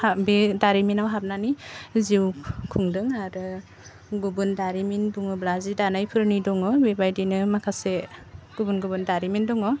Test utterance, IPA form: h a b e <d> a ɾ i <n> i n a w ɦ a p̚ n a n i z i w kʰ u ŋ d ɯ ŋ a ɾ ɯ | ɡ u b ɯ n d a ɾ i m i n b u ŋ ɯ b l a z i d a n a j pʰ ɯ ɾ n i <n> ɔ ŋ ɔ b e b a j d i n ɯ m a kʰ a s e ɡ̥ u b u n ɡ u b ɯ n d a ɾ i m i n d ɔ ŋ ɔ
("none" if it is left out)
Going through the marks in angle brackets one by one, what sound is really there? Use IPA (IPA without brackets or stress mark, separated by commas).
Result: d, m, d